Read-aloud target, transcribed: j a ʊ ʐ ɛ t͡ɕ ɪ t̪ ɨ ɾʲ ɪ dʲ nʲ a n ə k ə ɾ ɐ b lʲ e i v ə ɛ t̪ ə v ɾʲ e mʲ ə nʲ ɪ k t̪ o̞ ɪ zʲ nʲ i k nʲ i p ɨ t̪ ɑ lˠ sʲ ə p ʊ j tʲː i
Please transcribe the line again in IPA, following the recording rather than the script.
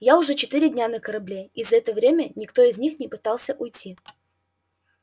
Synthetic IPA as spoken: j a ʊ ʐ ɛ t͡ɕ ɪ t̪ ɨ ɾʲ ɪ dʲ nʲ a n ə k ə ɾ ɐ b lʲ e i z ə ɛ t̪ ə v ɾʲ e mʲ ə nʲ ɪ k t̪ o̞ ɪ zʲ nʲ i x nʲ ɪ p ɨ t̪ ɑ lˠ sʲ ə ʔ ʊ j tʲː i